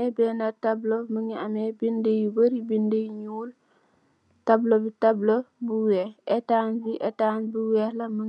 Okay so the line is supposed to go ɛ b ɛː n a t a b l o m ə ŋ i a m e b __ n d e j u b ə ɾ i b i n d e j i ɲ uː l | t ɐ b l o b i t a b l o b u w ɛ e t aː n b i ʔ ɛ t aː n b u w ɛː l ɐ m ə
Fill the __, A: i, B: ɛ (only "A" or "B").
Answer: A